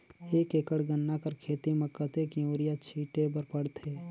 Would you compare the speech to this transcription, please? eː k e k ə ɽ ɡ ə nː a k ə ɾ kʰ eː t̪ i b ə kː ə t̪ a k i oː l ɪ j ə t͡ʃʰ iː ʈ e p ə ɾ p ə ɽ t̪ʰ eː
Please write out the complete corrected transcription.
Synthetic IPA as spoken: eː k e k ə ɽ ɡ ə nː a k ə ɾ kʰ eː t̪ i m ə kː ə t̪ e k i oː ɾ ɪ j a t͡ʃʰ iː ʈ e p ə ɾ p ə ɽ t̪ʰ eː